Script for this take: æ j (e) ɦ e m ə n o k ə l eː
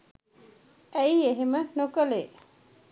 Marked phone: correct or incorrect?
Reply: correct